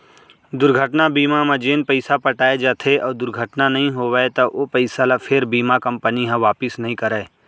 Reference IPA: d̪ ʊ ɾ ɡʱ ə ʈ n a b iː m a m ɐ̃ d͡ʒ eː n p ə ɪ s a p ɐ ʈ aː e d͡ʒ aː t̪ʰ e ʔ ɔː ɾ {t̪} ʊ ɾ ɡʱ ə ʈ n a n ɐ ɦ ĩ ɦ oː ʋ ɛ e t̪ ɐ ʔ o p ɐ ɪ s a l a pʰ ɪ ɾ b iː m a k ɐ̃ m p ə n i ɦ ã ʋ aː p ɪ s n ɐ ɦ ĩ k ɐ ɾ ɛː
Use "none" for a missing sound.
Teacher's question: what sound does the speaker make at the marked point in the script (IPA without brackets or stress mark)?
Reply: d̪